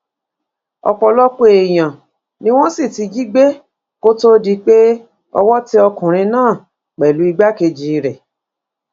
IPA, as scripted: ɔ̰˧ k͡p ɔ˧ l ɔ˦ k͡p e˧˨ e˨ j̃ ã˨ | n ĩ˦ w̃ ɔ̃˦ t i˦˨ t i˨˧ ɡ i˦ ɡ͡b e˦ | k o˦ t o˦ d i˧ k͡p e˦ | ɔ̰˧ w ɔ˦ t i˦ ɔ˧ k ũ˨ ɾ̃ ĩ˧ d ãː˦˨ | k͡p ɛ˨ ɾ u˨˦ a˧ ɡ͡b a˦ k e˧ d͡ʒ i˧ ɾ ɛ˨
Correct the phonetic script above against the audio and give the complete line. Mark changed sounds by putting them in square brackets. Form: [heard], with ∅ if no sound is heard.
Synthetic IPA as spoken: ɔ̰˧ k͡p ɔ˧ l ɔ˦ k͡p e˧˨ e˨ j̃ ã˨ | n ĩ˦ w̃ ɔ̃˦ [s] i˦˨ t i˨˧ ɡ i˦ ɡ͡b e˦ | k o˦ t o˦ d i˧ k͡p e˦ | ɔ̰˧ w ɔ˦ t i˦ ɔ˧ k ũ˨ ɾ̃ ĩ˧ [n] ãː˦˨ | k͡p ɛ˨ [l] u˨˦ [i˧] ɡ͡b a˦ k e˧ d͡ʒ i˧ ɾ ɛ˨